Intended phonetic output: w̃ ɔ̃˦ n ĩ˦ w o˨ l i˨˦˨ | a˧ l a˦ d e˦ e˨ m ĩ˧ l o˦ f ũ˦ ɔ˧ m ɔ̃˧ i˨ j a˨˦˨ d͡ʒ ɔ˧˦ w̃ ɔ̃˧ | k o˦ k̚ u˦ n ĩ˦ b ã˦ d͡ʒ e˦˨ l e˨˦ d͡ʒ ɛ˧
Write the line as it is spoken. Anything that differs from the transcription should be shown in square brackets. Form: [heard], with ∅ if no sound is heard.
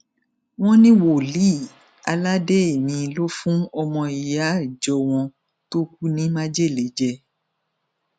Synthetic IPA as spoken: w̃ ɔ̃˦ n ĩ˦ w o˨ l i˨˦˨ | a˧ l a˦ d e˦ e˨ m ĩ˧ l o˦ f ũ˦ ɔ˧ m ɔ̃˧ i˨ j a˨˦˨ d͡ʒ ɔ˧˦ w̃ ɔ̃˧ | [t] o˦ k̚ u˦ n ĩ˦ [m] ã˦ d͡ʒ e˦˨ l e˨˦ d͡ʒ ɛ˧